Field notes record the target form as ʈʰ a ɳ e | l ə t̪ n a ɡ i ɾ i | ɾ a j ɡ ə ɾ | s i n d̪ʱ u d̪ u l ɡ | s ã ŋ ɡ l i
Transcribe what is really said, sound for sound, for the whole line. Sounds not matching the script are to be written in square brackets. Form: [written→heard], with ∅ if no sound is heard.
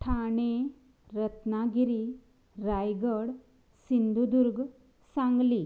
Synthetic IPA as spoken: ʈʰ a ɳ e | [l→ɾ] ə t̪ n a ɡ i ɾ i | ɾ a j ɡ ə [ɾ→ɽ] | s i n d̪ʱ u d̪ u [l→ɾ] ɡ | s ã ŋ ɡ l i